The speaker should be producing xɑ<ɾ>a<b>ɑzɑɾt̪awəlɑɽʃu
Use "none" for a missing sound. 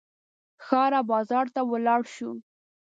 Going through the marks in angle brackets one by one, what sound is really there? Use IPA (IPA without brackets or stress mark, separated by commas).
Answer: ɾ, b